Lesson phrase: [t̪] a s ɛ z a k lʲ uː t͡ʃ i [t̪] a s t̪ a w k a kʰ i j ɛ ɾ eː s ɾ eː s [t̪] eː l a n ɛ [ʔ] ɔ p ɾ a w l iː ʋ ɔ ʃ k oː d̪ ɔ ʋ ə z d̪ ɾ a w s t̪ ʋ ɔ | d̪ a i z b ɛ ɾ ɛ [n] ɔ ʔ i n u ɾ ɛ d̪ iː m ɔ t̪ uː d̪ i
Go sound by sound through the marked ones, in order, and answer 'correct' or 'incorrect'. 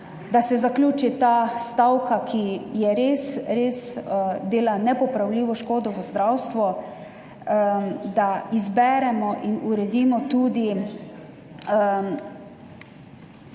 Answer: incorrect, correct, incorrect, incorrect, incorrect

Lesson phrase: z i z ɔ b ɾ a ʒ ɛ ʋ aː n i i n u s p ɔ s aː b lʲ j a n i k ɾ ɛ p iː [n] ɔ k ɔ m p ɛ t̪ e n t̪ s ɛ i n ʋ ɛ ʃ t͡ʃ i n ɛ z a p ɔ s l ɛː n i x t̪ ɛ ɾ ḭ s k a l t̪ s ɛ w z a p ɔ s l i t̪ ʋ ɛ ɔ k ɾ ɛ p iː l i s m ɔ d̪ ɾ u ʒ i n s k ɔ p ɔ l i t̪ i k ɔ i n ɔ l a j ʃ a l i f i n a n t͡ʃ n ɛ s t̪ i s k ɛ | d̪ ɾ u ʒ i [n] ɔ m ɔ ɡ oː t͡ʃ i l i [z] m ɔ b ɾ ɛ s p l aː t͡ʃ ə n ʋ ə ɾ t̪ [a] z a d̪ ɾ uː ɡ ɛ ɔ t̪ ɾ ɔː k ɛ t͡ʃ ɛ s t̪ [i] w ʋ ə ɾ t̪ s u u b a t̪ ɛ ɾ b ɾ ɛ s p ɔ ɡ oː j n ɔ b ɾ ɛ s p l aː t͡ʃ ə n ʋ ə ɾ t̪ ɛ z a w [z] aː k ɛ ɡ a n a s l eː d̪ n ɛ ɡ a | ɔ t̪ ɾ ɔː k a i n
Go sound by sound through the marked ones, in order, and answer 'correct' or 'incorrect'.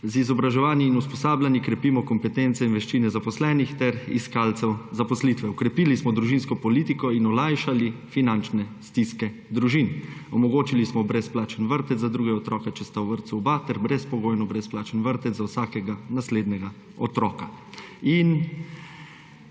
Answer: incorrect, correct, incorrect, incorrect, incorrect, incorrect

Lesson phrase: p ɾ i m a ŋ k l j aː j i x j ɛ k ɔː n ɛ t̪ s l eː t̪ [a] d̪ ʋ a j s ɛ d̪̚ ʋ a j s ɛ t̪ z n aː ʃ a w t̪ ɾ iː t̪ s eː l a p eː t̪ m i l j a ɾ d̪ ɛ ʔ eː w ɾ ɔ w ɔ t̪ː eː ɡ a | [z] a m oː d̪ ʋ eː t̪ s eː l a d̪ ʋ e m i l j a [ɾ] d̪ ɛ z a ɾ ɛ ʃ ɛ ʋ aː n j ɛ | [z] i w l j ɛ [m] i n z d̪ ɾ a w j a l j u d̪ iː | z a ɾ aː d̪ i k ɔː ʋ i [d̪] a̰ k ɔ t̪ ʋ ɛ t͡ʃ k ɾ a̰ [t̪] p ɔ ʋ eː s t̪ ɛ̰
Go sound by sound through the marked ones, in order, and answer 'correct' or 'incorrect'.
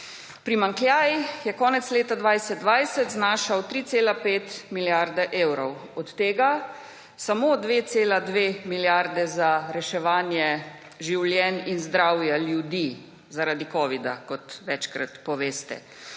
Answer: correct, incorrect, correct, incorrect, incorrect, correct, correct

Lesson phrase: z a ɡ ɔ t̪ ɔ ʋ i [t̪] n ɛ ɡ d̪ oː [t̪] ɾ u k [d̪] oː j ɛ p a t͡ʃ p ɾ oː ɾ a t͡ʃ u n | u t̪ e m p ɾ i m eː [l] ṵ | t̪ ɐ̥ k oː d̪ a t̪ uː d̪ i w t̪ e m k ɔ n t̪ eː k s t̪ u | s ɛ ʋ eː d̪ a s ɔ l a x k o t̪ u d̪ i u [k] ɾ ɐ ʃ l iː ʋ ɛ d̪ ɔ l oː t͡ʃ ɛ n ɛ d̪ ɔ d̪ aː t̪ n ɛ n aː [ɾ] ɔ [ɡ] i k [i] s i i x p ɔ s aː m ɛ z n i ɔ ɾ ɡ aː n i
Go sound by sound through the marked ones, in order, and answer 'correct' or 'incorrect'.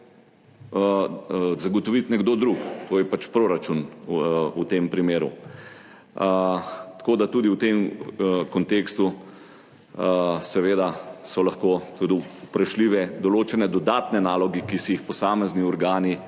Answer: correct, incorrect, incorrect, incorrect, incorrect, incorrect, correct, correct

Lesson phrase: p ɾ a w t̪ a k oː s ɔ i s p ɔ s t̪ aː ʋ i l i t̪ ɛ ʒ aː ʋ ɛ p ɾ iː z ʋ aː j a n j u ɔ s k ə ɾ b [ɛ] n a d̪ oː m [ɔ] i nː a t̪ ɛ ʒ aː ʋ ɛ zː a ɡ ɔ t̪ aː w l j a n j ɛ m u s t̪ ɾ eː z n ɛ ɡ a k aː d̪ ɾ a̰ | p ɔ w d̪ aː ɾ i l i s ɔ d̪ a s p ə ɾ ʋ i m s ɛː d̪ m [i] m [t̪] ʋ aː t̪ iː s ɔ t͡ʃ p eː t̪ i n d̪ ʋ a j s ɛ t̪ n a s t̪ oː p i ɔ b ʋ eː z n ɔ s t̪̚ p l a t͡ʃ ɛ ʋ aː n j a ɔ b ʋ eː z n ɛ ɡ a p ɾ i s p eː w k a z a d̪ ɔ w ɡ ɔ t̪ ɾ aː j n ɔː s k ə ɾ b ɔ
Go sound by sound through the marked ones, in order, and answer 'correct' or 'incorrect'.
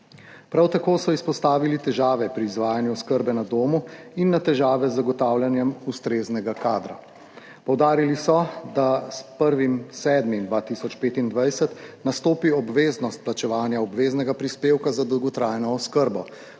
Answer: correct, incorrect, correct, incorrect

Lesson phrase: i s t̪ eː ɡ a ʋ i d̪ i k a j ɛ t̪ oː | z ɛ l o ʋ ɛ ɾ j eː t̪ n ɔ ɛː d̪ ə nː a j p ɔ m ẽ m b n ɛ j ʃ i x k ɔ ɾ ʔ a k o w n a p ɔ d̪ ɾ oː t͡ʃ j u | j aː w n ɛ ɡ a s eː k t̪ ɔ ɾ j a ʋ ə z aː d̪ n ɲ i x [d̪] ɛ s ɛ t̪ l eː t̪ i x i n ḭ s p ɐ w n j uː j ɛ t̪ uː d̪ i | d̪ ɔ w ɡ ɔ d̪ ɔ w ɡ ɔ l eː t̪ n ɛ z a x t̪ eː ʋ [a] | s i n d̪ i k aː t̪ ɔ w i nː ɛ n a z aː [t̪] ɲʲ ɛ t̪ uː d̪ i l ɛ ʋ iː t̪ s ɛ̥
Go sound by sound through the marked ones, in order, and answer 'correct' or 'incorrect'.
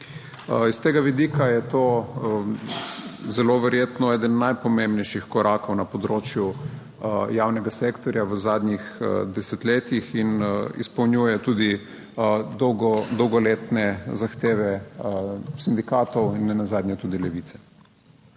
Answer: correct, incorrect, incorrect

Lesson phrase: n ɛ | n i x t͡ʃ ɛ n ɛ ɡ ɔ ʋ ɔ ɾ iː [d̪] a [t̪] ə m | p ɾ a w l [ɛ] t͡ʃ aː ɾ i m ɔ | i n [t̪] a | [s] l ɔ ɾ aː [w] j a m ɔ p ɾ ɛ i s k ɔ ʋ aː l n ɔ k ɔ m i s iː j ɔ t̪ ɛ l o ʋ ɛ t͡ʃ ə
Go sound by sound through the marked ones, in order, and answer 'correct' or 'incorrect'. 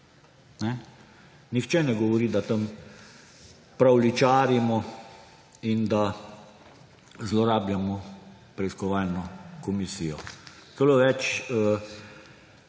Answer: correct, correct, incorrect, incorrect, incorrect, incorrect

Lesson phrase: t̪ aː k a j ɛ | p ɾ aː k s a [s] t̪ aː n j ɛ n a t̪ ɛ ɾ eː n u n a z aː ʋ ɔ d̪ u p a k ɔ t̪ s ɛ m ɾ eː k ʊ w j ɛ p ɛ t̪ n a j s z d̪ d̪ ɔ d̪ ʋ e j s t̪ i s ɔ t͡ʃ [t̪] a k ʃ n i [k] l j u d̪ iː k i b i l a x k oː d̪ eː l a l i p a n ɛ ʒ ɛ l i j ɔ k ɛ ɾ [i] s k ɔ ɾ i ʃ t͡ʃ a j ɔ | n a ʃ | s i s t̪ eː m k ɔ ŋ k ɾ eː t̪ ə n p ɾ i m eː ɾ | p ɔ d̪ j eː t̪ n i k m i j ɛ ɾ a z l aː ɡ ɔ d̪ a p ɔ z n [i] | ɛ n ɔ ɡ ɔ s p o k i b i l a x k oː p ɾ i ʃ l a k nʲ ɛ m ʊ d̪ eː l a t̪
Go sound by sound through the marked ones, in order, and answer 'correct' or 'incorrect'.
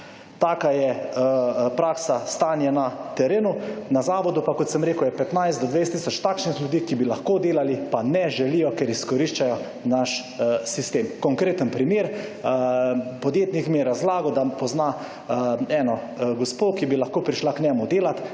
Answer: correct, correct, incorrect, correct, incorrect

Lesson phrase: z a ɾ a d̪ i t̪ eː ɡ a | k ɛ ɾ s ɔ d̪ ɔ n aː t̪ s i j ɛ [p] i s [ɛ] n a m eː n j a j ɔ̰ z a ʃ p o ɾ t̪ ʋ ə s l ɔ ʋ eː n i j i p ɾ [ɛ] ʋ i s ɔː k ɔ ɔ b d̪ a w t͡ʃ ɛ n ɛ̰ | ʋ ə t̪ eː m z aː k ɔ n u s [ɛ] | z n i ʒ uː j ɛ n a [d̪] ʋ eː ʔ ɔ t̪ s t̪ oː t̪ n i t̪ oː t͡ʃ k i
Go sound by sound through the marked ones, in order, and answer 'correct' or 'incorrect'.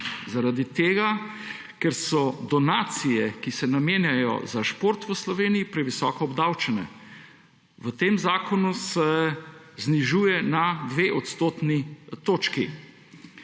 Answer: incorrect, correct, correct, correct, correct

